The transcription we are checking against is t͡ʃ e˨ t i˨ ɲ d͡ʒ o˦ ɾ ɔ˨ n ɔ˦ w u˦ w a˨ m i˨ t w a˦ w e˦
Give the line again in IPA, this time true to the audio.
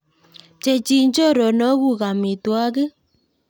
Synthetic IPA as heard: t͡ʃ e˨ t͡ʃ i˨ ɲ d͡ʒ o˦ ɾ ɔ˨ n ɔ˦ ɣ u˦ ɣ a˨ m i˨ t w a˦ ɣ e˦